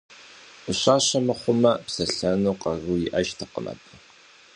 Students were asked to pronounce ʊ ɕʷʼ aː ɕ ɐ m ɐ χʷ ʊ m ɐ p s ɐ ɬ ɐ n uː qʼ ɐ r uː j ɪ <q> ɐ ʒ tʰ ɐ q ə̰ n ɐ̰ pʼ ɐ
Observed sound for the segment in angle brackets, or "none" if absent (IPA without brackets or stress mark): ʔ